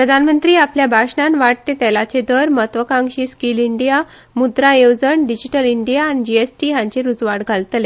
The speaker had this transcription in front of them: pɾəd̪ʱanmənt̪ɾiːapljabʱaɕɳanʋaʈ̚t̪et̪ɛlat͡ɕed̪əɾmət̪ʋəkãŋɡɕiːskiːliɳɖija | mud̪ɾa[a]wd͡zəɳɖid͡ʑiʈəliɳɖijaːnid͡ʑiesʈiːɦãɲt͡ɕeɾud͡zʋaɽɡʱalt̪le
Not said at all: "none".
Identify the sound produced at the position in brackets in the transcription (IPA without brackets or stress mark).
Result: e